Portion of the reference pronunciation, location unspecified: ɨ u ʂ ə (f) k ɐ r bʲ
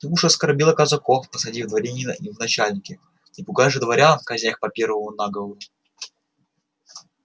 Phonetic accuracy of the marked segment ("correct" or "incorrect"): incorrect